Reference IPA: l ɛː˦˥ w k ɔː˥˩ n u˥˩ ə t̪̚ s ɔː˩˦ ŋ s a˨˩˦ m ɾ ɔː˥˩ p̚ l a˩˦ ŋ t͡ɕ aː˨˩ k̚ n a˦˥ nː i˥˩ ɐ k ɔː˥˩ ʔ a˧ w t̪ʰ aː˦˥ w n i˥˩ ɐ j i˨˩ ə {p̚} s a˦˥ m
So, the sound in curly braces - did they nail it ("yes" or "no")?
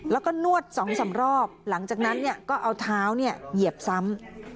yes